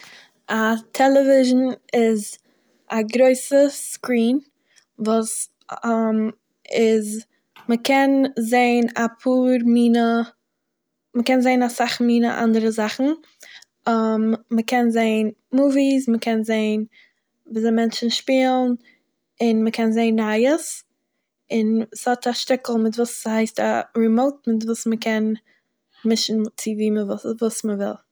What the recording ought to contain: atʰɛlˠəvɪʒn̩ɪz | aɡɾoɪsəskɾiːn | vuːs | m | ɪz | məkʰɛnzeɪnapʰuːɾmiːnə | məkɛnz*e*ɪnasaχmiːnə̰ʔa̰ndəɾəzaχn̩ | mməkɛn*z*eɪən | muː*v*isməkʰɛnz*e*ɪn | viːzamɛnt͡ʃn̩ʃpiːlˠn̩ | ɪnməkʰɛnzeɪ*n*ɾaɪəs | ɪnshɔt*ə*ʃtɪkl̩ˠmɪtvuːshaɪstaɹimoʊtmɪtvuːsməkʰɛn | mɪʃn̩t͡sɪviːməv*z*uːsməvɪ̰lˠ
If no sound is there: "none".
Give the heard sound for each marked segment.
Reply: e, z, v, e, n, a, v

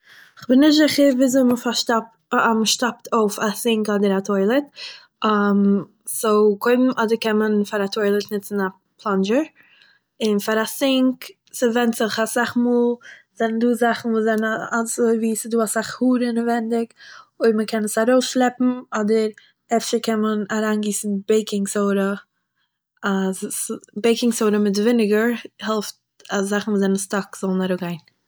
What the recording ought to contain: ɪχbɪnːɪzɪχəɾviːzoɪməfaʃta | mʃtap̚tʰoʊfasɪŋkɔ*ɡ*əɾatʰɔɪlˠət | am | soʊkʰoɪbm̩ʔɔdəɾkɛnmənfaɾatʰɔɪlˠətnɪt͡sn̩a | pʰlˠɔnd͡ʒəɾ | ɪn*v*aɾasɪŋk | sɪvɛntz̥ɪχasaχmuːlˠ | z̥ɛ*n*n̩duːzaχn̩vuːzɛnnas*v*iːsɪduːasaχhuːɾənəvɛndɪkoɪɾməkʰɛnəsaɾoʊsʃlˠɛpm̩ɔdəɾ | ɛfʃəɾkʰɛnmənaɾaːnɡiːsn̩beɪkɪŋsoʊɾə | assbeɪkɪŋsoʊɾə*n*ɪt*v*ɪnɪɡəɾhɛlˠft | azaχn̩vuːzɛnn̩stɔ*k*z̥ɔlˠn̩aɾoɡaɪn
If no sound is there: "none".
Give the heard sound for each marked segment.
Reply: d, f, n, v, m, v, k

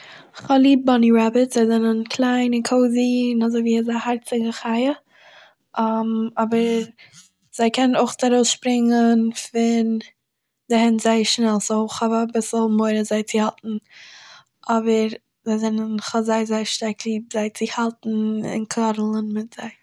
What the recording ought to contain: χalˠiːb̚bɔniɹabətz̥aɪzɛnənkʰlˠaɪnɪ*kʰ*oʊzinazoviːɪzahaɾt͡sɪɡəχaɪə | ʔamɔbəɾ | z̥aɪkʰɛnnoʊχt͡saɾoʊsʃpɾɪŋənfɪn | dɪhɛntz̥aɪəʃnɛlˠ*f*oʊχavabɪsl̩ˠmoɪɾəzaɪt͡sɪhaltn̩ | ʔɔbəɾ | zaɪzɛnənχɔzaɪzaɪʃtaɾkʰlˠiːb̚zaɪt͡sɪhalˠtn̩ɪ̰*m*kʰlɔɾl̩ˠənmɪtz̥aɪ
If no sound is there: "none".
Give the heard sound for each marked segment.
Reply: kʰ, s, n

